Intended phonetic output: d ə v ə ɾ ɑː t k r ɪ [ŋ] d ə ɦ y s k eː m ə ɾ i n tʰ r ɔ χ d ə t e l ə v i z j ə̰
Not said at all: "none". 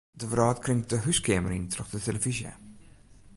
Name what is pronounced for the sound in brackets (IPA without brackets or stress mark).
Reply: ŋ